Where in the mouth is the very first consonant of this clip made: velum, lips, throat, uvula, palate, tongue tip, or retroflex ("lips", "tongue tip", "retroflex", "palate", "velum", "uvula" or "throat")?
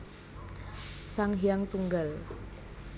tongue tip